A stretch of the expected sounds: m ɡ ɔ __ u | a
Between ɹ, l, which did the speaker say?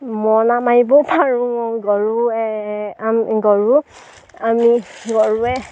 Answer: ɹ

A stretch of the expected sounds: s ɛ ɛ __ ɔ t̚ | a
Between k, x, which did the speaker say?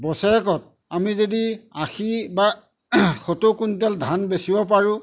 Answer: k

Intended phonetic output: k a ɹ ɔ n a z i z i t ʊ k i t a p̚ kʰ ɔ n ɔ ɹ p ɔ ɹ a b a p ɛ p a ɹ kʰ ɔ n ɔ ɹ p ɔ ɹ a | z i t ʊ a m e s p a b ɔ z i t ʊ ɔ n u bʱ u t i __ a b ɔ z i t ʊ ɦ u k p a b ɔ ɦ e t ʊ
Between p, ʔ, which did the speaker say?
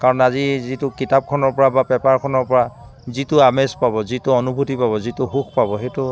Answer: p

